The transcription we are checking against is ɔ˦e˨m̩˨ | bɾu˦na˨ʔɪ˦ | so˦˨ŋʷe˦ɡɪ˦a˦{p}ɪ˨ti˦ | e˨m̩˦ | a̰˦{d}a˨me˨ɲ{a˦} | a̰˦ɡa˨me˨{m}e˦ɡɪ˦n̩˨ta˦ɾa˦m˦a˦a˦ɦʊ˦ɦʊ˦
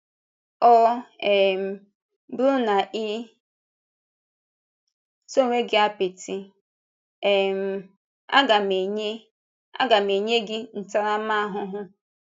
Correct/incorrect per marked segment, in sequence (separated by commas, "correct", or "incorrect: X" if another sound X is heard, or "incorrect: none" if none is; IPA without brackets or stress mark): correct, incorrect: ɡ, incorrect: e˦, incorrect: ɲ